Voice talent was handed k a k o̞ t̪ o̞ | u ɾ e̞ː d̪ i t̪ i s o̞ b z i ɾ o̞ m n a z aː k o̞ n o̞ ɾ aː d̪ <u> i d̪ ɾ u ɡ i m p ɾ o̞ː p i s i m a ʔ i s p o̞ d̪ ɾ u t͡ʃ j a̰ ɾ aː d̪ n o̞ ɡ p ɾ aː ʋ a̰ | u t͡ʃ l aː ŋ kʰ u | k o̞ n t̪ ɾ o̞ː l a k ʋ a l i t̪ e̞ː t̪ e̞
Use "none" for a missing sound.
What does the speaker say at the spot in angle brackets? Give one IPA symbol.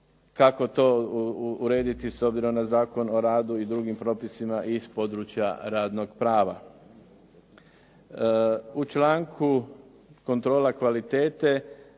u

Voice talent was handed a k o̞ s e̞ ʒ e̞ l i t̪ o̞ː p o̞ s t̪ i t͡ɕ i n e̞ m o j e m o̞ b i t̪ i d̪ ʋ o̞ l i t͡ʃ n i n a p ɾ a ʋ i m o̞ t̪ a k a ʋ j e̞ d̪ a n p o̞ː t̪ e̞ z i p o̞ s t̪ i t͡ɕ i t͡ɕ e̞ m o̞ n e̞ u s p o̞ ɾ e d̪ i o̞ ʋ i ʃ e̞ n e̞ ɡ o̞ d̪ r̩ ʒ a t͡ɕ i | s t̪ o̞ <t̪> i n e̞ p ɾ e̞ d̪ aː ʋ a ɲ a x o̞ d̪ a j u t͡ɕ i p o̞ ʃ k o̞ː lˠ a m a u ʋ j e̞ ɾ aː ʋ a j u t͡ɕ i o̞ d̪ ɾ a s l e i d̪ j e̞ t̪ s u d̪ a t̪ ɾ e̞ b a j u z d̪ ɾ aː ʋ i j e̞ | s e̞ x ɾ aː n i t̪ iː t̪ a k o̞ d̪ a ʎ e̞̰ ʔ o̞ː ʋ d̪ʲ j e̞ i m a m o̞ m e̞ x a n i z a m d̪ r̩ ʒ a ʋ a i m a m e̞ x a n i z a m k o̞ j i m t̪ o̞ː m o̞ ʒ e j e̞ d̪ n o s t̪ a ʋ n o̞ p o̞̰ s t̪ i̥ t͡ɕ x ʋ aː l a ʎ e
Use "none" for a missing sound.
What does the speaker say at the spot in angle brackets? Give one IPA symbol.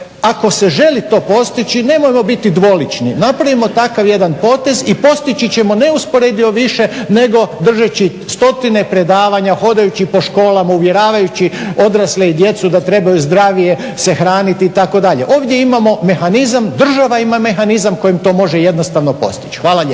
t̪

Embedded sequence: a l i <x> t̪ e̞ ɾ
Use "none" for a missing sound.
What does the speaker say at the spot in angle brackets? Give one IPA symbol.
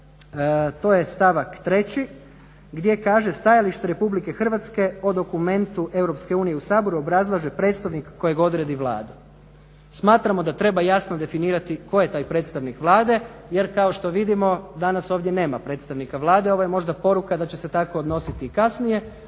ʃ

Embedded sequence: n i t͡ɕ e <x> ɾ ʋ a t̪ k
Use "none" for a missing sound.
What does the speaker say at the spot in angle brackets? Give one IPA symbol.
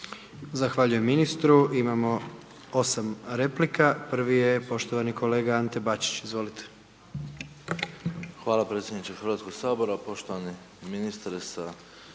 x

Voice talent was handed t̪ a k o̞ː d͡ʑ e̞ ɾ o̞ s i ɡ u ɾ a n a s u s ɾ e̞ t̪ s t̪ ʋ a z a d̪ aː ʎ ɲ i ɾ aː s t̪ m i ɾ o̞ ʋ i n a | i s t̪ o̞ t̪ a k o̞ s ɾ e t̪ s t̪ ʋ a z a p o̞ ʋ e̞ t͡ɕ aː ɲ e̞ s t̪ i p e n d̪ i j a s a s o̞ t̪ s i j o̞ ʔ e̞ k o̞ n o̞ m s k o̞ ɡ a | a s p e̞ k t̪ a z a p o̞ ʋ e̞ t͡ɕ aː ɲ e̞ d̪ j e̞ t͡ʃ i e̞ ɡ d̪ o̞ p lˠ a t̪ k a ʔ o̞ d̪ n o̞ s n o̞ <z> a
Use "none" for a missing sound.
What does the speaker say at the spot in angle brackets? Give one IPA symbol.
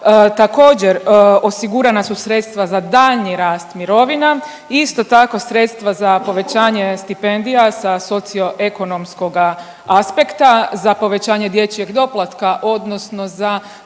z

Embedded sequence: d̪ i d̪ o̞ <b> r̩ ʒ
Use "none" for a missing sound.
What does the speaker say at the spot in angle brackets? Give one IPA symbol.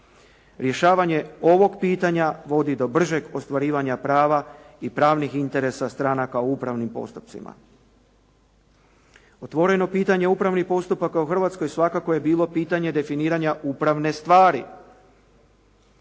b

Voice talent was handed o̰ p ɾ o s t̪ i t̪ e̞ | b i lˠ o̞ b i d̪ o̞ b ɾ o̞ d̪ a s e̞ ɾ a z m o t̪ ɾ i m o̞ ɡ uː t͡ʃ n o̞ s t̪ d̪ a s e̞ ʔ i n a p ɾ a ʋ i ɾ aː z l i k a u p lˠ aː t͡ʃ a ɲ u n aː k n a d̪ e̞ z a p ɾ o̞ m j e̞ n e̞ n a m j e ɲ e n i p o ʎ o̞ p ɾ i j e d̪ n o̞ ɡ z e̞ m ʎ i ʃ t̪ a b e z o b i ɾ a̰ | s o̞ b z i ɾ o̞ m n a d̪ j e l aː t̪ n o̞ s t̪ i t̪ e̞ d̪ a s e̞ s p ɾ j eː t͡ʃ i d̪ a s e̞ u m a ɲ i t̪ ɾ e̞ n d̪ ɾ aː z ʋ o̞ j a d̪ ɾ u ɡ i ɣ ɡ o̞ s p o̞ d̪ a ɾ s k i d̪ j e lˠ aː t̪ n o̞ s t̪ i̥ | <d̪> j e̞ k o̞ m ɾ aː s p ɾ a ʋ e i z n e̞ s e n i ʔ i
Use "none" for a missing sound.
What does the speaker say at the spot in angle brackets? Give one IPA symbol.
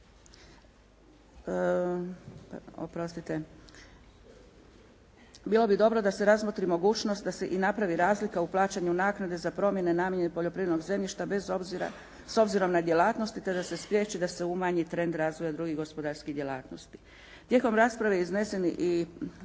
t̪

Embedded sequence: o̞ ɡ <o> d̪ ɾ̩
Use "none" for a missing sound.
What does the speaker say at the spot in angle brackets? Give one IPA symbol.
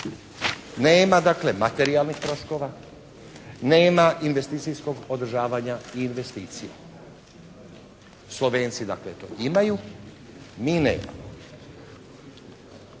o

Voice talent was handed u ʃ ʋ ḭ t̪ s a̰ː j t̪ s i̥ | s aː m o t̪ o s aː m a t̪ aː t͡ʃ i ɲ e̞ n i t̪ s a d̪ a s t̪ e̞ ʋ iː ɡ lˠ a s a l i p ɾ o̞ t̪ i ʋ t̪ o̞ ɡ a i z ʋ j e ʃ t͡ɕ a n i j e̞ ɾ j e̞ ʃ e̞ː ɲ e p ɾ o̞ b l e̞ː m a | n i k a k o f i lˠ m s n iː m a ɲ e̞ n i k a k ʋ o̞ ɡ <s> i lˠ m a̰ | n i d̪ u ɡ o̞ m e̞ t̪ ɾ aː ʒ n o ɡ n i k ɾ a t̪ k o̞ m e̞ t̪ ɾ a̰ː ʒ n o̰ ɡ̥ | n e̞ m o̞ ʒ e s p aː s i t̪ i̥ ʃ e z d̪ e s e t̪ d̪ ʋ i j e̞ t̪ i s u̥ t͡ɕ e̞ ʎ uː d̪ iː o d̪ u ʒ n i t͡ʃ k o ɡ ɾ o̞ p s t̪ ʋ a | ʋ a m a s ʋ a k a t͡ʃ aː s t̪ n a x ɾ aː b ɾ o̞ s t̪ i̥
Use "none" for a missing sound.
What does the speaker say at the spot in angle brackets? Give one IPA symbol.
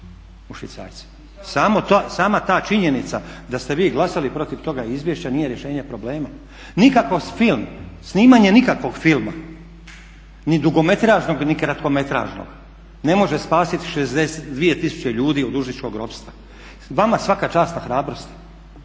f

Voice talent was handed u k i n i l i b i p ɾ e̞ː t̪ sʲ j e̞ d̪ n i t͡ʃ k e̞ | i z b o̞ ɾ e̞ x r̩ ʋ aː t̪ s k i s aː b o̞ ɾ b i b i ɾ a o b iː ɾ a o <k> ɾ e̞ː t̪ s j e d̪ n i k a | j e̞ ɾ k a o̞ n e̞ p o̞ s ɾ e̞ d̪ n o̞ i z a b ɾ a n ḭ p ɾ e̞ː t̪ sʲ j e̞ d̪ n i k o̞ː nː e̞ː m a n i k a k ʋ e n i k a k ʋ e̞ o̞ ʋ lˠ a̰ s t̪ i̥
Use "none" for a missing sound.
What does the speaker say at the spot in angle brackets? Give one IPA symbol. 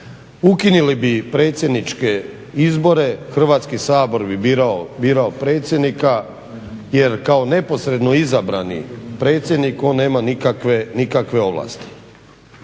p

